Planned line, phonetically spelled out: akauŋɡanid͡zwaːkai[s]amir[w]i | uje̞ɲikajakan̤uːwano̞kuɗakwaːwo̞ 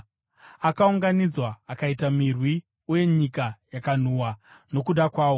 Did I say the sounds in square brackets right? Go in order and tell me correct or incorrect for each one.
incorrect, correct

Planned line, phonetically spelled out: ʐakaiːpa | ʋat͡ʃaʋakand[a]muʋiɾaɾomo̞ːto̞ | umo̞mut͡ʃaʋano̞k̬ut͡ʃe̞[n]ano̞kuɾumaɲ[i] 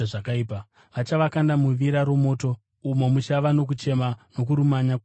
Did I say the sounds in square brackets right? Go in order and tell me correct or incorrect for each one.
correct, incorrect, incorrect

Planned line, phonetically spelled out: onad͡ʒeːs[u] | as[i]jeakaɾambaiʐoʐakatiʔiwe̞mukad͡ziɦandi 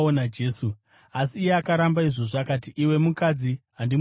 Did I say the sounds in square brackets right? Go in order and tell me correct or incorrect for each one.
correct, incorrect

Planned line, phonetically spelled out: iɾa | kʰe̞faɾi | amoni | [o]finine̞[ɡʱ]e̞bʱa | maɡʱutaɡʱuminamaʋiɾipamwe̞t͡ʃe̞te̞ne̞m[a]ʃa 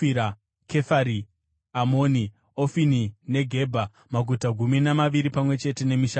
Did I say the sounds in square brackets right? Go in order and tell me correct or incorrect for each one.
correct, correct, incorrect

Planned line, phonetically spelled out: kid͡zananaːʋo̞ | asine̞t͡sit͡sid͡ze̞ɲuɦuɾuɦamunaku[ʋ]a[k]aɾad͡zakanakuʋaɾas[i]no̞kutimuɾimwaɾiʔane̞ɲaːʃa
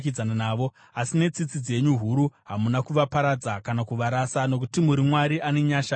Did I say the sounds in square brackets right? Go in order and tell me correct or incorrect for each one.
correct, incorrect, incorrect

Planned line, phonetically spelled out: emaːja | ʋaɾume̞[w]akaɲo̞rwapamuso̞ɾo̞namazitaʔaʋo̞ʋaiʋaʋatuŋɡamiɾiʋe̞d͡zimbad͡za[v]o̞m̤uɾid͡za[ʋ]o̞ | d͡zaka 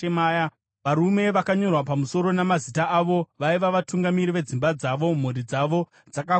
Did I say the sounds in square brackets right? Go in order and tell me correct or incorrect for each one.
incorrect, incorrect, correct

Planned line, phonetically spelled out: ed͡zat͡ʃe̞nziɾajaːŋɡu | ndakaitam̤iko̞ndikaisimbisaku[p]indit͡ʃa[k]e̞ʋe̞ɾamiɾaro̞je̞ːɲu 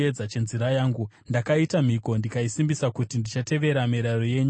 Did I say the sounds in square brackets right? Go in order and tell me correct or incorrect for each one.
incorrect, incorrect

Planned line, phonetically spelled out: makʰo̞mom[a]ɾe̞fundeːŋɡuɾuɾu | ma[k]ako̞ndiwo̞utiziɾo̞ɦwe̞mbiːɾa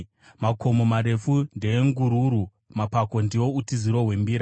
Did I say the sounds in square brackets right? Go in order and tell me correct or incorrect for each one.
correct, incorrect

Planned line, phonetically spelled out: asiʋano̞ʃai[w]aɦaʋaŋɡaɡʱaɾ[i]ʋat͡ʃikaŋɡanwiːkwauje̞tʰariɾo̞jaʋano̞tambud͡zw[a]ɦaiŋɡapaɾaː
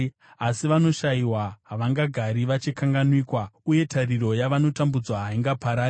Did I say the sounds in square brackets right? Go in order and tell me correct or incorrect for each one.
correct, correct, correct

